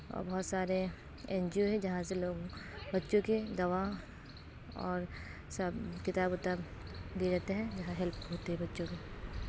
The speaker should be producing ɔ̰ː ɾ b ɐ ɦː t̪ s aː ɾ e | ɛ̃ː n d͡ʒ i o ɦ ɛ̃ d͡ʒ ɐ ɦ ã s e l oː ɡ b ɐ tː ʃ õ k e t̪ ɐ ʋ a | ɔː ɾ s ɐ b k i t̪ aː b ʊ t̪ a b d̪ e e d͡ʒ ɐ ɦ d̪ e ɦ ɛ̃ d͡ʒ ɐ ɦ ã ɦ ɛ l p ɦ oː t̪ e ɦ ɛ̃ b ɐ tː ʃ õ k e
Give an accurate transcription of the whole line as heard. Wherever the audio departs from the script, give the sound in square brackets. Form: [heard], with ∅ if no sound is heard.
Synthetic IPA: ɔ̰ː ɾ b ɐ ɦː t̪ s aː ɾ e | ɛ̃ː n d͡ʒ i o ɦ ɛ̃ d͡ʒ ɐ ɦ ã s e l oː ɡ b ɐ tː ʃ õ k e [d̪] ɐ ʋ a | ɔː ɾ s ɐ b k [ɪ] t̪ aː b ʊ t̪ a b d̪ [i] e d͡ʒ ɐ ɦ [t̪] e ɦ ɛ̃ d͡ʒ ɐ ɦ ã ɦ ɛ l p ɦ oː t̪ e ɦ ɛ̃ b ɐ tː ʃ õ k e

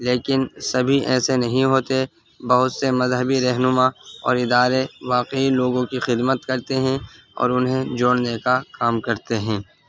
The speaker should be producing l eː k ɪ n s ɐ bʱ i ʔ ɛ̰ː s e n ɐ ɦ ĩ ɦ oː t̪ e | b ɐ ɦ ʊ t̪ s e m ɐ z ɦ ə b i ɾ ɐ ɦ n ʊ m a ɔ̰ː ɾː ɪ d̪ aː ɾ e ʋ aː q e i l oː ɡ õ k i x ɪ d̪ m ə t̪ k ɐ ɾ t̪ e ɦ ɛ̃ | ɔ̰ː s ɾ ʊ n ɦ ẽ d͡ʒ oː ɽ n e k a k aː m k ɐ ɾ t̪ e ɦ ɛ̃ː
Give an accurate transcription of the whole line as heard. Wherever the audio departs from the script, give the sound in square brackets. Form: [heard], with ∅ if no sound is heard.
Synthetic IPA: l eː k ɪ n s ɐ bʱ i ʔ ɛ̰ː s e n ɐ ɦ ĩ ɦ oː t̪ e | b ɐ ɦ ʊ t̪ s e m ɐ z ɦ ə b i ɾ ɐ ɦ n ʊ m a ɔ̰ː [ɾ] ɪ d̪ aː ɾ e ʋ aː q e i l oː ɡ õ k i x ɪ d̪ m ə t̪ k ɐ ɾ t̪ e ɦ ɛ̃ | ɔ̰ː [∅] ɾ ʊ n ɦ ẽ d͡ʒ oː ɽ n e k a k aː m k ɐ ɾ t̪ e ɦ ɛ̃ː

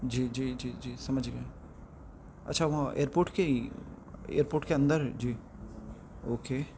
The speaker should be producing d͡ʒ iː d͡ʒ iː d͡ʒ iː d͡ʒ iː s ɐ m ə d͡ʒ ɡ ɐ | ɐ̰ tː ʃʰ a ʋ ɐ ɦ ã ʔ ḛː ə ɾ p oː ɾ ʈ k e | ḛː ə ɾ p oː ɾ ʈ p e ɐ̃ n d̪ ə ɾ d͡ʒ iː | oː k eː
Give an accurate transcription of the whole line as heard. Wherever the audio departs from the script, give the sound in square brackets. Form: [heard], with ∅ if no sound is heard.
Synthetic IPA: d͡ʒ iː d͡ʒ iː d͡ʒ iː d͡ʒ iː s ɐ m ə d͡ʒ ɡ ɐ | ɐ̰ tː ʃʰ a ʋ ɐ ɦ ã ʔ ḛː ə ɾ p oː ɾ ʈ k e | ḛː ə ɾ p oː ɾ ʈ [k] e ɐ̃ n d̪ ə ɾ d͡ʒ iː | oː k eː

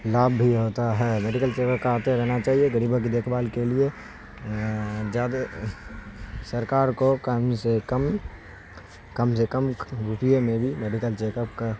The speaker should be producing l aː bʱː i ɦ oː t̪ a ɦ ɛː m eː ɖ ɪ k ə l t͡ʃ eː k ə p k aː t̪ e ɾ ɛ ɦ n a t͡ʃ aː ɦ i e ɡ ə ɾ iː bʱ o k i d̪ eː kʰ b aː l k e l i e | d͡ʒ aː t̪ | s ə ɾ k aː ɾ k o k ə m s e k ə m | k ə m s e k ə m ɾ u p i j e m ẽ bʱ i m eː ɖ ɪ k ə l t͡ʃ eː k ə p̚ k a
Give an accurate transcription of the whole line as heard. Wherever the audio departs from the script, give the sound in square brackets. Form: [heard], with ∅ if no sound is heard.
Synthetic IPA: l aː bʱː i ɦ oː t̪ a ɦ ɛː m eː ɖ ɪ k ə l t͡ʃ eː k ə p k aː t̪ e ɾ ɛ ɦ n a t͡ʃ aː ɦ i e ɡ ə ɾ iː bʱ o k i d̪ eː kʰ b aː l k e l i e | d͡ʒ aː [d̪] | s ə ɾ k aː ɾ k o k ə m s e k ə m | k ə m s e k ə m ɾ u p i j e m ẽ bʱ i m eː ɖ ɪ k ə l t͡ʃ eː k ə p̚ k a

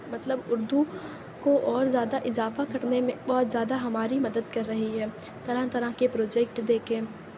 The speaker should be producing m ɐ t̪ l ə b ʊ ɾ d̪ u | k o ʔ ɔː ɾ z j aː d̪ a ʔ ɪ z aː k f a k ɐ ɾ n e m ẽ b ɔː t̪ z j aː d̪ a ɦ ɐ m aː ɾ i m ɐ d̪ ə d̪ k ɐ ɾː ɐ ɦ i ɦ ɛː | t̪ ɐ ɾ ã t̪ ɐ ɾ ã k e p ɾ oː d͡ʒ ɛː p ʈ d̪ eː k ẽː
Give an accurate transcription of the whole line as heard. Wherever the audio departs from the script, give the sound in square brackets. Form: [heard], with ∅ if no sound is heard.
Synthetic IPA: m ɐ t̪ l ə b ʊ ɾ d̪ u | k o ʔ ɔː ɾ z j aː d̪ a ʔ ɪ z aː [∅] f a k ɐ ɾ n e m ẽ b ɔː t̪ z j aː d̪ a ɦ ɐ m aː ɾ i m ɐ d̪ ə d̪ k ɐ ɾː ɐ ɦ i ɦ ɛː | t̪ ɐ ɾ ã t̪ ɐ ɾ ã k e p ɾ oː d͡ʒ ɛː [k] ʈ d̪ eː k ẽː

